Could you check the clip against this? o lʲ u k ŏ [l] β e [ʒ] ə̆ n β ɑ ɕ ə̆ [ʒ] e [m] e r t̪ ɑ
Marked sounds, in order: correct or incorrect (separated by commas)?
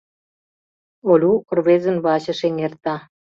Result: incorrect, incorrect, incorrect, incorrect